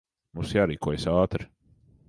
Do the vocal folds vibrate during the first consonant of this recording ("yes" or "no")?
yes